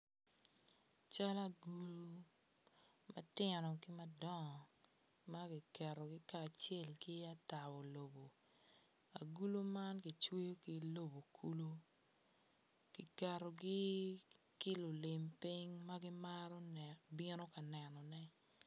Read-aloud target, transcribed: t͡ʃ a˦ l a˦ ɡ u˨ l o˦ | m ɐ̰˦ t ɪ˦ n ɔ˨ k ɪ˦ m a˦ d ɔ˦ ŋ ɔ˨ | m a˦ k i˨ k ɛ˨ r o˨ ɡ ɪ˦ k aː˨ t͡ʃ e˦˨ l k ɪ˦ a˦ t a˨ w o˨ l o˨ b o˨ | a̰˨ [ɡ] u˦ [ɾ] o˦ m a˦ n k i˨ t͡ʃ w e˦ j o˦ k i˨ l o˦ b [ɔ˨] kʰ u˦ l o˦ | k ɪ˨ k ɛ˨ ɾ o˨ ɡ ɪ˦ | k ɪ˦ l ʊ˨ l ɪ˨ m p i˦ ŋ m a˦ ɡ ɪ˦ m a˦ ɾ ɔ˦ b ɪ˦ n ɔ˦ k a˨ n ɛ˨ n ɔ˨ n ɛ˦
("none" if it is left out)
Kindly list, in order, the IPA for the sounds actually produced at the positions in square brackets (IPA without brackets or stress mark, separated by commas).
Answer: ɡ, l, o˨